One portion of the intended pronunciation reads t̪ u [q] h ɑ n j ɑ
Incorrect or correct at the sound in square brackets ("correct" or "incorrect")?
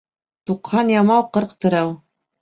correct